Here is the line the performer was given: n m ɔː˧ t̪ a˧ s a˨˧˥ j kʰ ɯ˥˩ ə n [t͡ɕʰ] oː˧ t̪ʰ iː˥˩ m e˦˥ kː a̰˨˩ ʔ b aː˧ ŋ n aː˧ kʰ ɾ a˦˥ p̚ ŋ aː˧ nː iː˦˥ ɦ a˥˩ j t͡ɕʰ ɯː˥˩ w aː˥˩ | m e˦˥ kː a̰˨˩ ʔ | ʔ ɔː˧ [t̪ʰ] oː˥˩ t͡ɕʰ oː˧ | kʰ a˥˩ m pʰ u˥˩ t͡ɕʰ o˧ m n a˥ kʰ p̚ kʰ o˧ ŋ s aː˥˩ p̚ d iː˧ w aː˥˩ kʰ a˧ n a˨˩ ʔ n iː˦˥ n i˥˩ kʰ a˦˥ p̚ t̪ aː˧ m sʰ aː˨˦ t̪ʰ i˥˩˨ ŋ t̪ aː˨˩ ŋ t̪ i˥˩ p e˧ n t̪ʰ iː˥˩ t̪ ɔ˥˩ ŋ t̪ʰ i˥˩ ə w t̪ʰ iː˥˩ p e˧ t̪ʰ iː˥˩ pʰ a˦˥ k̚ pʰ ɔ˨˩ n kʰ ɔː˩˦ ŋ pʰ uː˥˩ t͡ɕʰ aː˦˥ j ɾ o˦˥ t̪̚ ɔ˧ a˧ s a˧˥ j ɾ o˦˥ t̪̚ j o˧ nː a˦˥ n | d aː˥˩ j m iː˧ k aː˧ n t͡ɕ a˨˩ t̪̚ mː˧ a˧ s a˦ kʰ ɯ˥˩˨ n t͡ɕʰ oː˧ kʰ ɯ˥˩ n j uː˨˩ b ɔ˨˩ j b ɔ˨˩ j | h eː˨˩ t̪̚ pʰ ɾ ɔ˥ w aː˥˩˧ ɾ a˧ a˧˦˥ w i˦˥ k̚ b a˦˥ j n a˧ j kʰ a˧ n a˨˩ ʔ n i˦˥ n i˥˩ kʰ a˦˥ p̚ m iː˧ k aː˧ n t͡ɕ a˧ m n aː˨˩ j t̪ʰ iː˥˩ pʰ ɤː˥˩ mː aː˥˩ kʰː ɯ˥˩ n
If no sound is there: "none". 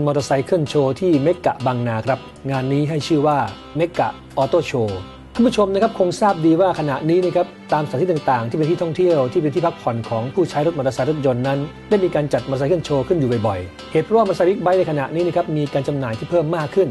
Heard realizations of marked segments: t͡ɕʰ, t̪

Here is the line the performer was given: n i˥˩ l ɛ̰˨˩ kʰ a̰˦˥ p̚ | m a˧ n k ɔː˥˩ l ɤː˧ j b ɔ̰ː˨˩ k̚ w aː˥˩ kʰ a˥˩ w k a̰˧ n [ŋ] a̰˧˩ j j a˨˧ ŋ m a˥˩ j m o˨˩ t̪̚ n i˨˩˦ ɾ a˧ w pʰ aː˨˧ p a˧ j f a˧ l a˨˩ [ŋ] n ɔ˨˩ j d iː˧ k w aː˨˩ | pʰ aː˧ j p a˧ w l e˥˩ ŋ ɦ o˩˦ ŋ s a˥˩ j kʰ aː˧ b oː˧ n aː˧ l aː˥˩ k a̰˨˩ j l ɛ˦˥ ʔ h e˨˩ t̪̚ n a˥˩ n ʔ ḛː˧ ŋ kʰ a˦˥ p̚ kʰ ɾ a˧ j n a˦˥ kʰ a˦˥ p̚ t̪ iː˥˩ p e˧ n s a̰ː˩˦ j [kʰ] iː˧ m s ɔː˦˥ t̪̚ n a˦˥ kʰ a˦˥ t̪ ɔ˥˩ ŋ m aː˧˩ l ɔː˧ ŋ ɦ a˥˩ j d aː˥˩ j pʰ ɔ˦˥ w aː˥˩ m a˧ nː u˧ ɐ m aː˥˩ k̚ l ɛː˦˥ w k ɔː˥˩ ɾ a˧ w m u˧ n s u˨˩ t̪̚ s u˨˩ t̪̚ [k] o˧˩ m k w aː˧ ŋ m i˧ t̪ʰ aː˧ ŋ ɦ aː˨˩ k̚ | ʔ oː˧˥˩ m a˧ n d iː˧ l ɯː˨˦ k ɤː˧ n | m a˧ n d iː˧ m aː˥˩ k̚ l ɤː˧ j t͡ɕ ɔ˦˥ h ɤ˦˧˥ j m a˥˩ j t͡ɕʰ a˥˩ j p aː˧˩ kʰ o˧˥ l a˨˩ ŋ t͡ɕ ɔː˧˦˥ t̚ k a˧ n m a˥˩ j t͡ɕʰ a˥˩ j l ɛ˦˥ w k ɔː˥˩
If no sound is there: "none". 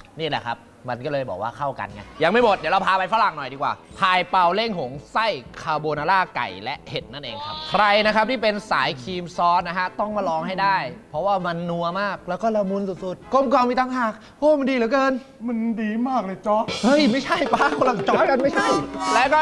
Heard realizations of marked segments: ŋ, ŋ, kʰ, k

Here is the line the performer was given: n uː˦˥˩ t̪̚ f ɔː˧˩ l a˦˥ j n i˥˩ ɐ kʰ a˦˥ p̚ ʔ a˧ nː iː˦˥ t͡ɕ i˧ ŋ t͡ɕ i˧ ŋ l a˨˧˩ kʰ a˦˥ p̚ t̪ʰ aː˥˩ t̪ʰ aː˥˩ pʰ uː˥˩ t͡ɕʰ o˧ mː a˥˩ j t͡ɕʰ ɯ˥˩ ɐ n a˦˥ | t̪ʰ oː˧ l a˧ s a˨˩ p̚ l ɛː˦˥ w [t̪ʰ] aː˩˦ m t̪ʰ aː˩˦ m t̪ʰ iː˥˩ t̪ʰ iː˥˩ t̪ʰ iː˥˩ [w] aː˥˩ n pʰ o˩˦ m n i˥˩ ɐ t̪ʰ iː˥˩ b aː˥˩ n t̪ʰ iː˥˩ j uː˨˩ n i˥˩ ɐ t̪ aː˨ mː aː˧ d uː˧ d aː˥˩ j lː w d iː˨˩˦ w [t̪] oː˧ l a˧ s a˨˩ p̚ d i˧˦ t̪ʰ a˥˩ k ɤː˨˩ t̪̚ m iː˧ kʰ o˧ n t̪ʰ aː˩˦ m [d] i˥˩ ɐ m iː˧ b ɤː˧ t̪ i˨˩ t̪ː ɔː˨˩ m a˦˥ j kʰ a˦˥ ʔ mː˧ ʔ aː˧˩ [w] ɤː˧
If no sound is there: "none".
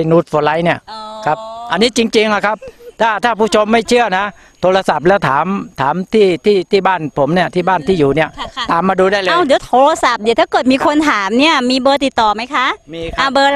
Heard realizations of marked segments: t̪ʰ, b, t̪ʰ, n, b

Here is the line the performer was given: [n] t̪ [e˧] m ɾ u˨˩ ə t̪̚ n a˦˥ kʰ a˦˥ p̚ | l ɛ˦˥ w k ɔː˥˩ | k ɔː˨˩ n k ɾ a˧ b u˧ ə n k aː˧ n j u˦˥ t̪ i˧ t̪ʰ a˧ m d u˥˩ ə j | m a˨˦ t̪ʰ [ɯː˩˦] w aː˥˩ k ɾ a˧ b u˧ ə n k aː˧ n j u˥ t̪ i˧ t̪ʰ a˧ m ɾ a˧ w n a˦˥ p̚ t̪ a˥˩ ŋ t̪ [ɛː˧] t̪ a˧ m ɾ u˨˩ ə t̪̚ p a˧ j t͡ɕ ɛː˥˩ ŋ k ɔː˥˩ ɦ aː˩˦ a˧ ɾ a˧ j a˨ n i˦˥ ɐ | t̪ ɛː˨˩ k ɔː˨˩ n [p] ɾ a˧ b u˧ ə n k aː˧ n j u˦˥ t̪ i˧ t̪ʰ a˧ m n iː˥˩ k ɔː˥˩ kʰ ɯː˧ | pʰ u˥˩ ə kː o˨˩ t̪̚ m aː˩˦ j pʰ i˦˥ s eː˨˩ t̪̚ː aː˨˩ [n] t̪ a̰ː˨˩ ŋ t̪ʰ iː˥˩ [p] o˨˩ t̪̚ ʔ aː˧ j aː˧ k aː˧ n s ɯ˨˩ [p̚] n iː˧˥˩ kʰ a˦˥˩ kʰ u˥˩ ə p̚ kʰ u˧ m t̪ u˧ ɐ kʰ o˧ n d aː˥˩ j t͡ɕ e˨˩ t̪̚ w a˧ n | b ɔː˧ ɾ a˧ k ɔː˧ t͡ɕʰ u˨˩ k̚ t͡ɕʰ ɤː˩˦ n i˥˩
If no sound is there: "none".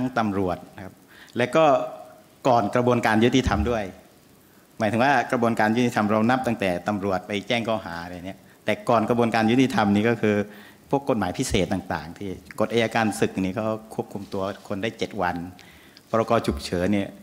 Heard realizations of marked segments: ŋ, a˧, ɯ˩˦, ɛː˨˩, k, ŋ, k, k̚

